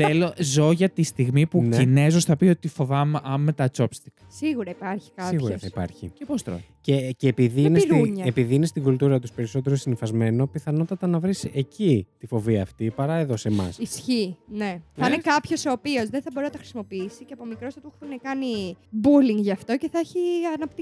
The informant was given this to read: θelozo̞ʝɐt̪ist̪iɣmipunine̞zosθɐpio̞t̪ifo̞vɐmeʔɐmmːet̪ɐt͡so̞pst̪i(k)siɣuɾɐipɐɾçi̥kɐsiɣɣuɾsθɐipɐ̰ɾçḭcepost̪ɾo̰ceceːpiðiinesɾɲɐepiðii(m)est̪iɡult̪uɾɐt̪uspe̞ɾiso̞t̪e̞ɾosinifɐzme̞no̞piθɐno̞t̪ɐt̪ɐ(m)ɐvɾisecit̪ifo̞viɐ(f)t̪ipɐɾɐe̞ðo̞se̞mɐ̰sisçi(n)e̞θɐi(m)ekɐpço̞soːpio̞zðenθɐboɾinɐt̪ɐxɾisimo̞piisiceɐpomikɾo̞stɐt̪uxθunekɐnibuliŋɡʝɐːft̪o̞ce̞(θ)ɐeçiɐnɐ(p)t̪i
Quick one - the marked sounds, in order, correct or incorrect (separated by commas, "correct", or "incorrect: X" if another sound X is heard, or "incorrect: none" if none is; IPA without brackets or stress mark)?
correct, incorrect: n, incorrect: n, correct, correct, incorrect: n, correct, correct